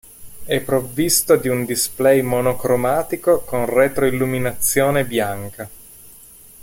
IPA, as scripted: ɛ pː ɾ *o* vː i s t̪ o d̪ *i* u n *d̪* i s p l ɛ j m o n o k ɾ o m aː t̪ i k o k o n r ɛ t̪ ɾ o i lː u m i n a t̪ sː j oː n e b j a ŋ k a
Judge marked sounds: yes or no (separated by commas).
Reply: yes, yes, yes